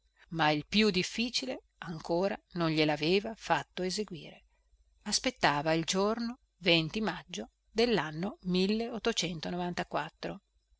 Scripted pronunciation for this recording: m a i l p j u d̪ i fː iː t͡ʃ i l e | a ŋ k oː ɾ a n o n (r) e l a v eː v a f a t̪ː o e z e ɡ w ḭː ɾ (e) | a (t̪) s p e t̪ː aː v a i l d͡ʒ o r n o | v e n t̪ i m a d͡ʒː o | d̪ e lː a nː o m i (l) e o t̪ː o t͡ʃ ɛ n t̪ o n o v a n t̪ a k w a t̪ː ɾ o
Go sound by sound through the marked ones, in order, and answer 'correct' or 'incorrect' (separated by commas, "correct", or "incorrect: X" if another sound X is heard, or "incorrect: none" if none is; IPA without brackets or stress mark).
incorrect: ʎ, correct, incorrect: none, incorrect: lː